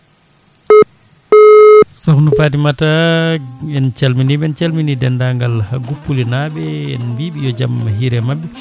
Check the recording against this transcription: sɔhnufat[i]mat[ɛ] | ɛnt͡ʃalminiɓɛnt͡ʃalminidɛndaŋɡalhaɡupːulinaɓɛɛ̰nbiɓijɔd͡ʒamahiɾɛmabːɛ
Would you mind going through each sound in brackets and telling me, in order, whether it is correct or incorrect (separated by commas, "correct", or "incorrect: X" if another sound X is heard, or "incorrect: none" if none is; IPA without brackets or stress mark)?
correct, incorrect: a